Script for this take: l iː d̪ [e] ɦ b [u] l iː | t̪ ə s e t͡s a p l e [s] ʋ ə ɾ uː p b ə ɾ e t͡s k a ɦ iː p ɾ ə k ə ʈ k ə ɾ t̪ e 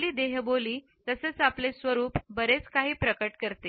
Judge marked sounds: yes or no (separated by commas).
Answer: yes, no, yes